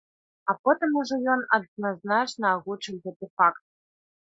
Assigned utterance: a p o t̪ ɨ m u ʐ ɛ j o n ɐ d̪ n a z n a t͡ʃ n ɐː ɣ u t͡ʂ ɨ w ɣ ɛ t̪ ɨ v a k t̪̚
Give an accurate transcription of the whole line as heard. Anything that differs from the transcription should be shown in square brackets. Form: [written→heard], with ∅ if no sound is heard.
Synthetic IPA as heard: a p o t̪ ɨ m u ʐ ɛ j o n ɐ d̪ n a z n a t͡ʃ n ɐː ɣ u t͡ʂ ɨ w ɣ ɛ t̪ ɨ [v→f] a k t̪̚